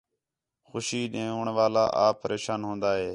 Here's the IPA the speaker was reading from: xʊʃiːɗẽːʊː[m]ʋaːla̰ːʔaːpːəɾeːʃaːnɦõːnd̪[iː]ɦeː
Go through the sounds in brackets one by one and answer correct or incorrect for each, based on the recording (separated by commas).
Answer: incorrect, incorrect